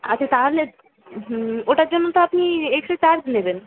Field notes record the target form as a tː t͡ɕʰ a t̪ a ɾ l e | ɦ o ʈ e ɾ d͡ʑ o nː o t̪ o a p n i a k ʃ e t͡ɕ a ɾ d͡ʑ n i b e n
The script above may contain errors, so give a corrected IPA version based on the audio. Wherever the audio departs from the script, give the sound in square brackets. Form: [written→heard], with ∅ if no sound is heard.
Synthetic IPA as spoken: a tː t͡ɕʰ a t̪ a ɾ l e | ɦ o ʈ [e→a] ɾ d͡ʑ o nː o t̪ o a p n i [a→e] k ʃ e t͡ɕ a ɾ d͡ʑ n [i→e] b e n